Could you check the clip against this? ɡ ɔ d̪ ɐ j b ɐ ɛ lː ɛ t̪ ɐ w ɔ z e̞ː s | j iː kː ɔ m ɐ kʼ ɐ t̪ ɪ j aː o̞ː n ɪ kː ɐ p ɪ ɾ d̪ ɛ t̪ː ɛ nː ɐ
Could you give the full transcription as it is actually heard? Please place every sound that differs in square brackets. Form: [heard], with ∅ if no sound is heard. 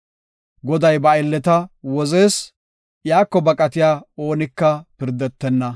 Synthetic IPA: ɡ ɔ d̪ ɐ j b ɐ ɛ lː ɛ t̪ ɐ w ɔ z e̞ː s | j [aː] kː ɔ [b] ɐ kʼ ɐ t̪ ɪ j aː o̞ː n ɪ kː ɐ p ɪ ɾ d̪ ɛ t̪ː ɛ nː ɐ

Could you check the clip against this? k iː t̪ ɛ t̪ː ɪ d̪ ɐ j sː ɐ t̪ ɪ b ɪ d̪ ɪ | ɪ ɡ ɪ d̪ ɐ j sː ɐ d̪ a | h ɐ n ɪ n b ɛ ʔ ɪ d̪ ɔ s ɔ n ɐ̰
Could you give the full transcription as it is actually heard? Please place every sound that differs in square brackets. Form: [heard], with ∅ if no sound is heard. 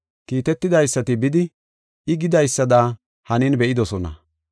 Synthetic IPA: k iː t̪ ɛ t̪ː ɪ d̪ ɐ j sː ɐ t̪ ɪ b ɪ d̪ ɪ | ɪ ɡ ɪ d̪ ɐ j sː ɐ d̪ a | h ɐ n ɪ n b ɛ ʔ ɪ d̪ ɔ s ɔ n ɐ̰

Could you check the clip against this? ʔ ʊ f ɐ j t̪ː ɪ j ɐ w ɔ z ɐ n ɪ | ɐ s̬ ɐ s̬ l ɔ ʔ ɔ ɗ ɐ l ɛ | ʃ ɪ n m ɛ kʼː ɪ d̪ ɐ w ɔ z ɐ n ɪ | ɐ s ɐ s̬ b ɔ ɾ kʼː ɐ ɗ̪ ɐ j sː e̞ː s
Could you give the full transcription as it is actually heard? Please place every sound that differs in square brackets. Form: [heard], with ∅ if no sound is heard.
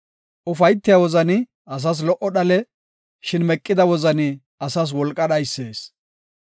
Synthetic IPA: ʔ ʊ f ɐ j t̪ː ɪ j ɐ w ɔ z ɐ n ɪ | ɐ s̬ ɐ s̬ l ɔ ʔ ɔ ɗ ɐ l ɛ | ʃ ɪ n m ɛ kʼː ɪ d̪ ɐ w ɔ z ɐ n ɪ | ɐ s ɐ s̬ [w] ɔ [l] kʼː ɐ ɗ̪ ɐ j sː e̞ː s

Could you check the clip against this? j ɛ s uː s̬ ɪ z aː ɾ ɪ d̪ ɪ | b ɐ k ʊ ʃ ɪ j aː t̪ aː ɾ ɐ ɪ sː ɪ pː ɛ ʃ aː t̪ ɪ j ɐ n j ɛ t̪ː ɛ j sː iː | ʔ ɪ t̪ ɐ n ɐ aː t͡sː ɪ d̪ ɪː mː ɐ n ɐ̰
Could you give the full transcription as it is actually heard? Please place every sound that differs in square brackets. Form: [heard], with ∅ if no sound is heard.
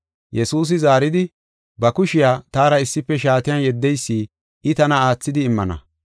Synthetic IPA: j ɛ s uː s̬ ɪ z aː ɾ ɪ d̪ ɪ | b ɐ k ʊ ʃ ɪ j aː t̪ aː ɾ ɐ ɪ sː ɪ pː ɛ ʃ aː t̪ ɪ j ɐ n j ɛ [d̪ː] ɛ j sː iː | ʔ ɪ t̪ ɐ n ɐ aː t͡sː ɪ d̪ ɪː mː ɐ n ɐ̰

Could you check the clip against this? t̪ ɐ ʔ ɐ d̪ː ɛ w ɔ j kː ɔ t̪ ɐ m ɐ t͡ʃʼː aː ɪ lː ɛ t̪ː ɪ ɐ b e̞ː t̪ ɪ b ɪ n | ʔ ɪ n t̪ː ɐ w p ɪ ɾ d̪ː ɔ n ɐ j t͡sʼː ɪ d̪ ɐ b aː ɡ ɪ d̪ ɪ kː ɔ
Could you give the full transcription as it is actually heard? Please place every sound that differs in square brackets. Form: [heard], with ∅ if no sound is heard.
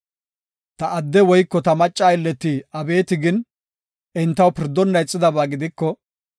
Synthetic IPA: t̪ ɐ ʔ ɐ d̪ː ɛ w ɔ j kː ɔ t̪ ɐ m ɐ t͡ʃʼː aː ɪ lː ɛ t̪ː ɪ ɐ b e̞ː t̪ ɪ [ɡ] ɪ n | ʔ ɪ n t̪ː ɐ w p ɪ ɾ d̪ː ɔ [nː] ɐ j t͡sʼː ɪ d̪ ɐ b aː ɡ ɪ d̪ ɪ kː ɔ

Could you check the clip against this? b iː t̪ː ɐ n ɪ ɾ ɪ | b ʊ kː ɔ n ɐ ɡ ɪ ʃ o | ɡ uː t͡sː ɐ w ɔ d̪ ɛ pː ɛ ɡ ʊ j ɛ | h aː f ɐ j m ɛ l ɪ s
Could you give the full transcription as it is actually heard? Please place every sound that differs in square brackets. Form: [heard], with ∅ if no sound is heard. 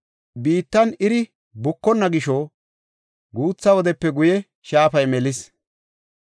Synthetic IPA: b iː t̪ː ɐ n ɪ ɾ ɪ | b ʊ kː ɔ [nː] ɐ ɡ ɪ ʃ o | ɡ uː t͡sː ɐ w ɔ d̪ ɛ pː ɛ ɡ ʊ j ɛ | [ʃ] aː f ɐ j m ɛ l ɪ s

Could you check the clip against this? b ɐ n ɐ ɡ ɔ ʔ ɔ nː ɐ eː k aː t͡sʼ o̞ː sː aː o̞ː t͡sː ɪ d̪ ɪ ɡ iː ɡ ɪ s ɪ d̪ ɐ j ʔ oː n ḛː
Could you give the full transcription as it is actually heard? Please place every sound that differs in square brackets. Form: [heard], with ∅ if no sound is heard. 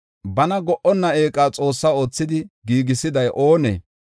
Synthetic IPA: b ɐ n ɐ ɡ ɔ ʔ ɔ nː ɐ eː [kʼ] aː t͡sʼ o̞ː sː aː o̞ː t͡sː ɪ d̪ ɪ ɡ iː ɡ ɪ s ɪ d̪ ɐ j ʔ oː n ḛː

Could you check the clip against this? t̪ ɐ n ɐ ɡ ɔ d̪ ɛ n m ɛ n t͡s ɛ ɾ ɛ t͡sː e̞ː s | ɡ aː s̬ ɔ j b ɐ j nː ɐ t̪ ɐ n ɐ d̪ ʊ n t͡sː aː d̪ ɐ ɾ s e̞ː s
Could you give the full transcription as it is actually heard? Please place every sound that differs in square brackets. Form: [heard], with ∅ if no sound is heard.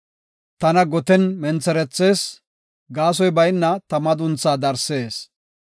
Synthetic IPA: t̪ ɐ n ɐ ɡ ɔ [t̪] ɛ n m ɛ n t͡s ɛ ɾ ɛ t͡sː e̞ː s | ɡ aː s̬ ɔ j b ɐ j nː ɐ t̪ ɐ [m] ɐ d̪ ʊ n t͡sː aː d̪ ɐ ɾ s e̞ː s

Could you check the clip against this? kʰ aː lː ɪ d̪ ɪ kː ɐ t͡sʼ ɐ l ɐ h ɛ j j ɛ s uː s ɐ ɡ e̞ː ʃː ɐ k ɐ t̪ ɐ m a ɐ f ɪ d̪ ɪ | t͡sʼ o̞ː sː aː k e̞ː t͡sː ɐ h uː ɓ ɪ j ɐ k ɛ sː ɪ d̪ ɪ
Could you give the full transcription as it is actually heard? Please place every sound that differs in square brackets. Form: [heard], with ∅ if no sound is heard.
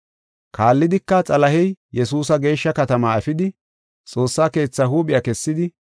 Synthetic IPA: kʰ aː lː ɪ d̪ ɪ kː ɐ t͡sʼ ɐ l ɐ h ɛ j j ɛ s uː s ɐ ɡ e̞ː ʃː ɐ k ɐ t̪ ɐ m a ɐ f ɪ d̪ ɪ | t͡sʼ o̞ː sː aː k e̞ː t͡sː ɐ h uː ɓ ɪ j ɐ k ɛ sː ɪ d̪ ɪ

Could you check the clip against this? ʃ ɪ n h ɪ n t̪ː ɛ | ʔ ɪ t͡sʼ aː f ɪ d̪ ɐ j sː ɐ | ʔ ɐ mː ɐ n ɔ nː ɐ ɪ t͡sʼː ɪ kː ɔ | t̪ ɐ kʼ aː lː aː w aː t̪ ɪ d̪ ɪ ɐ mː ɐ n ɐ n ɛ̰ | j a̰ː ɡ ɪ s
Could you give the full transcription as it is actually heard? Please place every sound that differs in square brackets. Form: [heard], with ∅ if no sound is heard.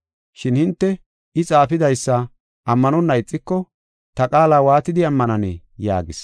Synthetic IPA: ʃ ɪ n h ɪ n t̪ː ɛ | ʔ ɪ t͡sʼ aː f ɪ d̪ ɐ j sː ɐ | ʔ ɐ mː ɐ n ɔ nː ɐ ɪ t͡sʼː ɪ kː ɔ | t̪ ɐ kʼ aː [l] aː w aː t̪ ɪ d̪ ɪ ɐ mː ɐ n ɐ n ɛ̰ | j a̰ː ɡ ɪ s

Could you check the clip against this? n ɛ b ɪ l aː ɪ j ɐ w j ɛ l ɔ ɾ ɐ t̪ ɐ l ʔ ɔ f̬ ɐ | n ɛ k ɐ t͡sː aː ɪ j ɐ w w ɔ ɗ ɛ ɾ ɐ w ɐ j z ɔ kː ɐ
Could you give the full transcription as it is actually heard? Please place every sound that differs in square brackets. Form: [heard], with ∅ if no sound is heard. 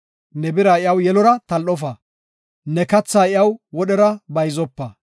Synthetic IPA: n ɛ b ɪ [ɾ] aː ɪ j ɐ w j ɛ l ɔ ɾ ɐ t̪ ɐ l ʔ ɔ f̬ ɐ | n ɛ k ɐ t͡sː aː ɪ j ɐ w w ɔ ɗ ɛ ɾ ɐ [b] ɐ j z ɔ [pː] ɐ

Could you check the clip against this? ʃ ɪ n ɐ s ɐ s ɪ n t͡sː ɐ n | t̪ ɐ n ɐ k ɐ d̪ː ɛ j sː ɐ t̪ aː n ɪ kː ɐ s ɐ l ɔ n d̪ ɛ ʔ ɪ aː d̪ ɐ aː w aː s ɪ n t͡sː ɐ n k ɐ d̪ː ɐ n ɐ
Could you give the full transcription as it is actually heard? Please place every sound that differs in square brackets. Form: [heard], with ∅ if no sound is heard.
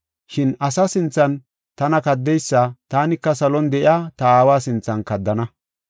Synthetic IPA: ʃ ɪ n ɐ s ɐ s ɪ n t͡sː ɐ n | t̪ ɐ n ɐ k ɐ d̪ː ɛ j sː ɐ t̪ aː n ɪ kː ɐ s ɐ l ɔ n d̪ ɛ ʔ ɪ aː [t̪] ɐ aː w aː s ɪ n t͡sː ɐ n k ɐ d̪ː ɐ n ɐ

